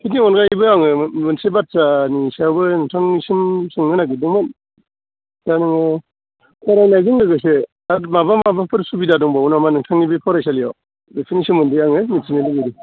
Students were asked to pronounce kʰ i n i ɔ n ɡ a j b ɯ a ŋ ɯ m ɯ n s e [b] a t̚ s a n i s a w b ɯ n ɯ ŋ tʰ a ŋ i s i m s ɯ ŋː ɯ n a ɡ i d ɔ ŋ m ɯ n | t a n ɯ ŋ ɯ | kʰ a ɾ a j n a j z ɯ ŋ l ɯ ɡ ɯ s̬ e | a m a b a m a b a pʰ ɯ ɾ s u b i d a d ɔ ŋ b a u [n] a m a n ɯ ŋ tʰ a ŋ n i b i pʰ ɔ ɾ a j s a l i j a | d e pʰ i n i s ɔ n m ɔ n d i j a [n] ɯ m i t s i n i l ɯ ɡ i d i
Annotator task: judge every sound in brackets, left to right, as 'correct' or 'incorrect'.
correct, correct, incorrect

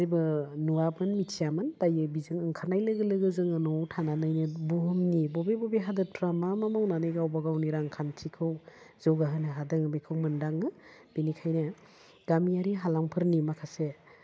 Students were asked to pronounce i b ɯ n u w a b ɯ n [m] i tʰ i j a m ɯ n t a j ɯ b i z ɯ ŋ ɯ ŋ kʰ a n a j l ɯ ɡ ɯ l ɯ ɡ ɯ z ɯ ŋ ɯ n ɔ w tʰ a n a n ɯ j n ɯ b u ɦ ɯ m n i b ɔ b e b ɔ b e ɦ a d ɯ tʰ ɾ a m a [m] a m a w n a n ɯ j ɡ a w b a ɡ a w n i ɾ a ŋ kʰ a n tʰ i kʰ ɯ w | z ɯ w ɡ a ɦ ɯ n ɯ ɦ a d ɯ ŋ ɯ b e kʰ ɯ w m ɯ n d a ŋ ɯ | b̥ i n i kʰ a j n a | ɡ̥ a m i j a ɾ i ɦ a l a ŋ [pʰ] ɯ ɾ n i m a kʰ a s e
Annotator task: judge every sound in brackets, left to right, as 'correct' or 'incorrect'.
correct, correct, correct

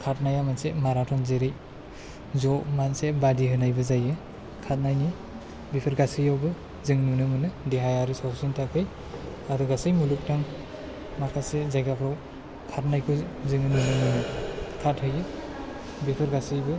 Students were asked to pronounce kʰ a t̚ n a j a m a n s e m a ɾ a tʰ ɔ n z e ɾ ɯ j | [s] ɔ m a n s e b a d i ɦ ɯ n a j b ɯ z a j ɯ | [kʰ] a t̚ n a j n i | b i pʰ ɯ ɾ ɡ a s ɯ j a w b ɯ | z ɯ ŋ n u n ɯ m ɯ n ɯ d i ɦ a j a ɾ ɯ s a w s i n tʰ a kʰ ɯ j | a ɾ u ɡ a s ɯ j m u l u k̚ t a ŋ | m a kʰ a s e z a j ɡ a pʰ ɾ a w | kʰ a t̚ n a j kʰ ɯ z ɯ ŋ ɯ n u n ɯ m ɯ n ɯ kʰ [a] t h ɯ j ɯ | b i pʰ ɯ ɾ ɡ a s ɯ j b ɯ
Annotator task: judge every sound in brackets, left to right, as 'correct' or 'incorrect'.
incorrect, correct, correct

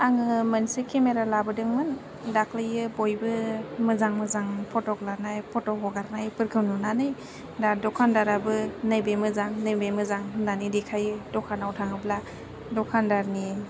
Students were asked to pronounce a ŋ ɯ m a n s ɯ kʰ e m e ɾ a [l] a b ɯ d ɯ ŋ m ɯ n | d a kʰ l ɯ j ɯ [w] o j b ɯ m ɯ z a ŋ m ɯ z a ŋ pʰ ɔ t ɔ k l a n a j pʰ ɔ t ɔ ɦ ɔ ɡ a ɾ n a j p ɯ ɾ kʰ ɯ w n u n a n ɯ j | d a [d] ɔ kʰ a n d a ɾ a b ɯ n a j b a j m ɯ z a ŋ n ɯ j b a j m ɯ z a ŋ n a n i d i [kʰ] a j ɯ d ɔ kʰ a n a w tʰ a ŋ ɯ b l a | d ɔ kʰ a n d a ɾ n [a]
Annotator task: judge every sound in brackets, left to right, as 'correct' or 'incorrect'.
correct, incorrect, correct, correct, incorrect

